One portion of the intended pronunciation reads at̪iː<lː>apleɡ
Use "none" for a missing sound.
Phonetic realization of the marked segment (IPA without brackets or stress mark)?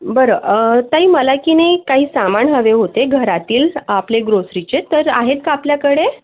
l